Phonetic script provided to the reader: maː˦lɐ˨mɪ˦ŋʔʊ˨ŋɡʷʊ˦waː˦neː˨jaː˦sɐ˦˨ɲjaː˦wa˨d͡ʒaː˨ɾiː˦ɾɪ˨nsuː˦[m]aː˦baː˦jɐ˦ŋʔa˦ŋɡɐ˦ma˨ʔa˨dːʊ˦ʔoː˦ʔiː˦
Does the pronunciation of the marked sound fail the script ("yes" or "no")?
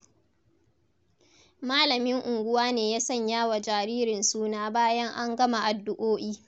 yes